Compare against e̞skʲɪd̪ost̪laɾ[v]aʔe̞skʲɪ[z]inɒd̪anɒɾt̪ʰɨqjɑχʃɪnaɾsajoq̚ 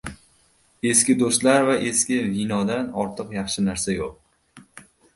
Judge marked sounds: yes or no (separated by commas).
yes, no